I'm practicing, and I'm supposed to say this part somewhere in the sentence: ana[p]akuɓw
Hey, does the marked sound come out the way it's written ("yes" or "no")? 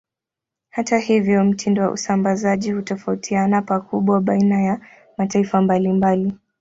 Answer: yes